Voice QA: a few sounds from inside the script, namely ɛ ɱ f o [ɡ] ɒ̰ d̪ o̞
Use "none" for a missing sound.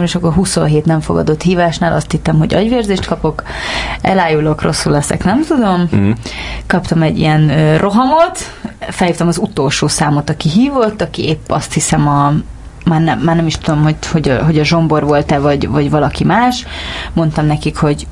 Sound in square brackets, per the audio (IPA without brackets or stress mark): ɡ